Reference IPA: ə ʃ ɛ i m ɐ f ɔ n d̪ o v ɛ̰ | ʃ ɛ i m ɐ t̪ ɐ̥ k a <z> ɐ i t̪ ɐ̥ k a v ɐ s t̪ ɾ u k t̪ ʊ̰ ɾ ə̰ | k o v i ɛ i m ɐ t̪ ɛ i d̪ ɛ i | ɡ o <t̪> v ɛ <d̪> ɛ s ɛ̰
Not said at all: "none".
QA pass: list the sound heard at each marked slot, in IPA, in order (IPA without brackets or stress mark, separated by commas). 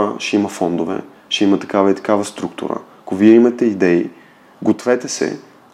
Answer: v, t̪, t̪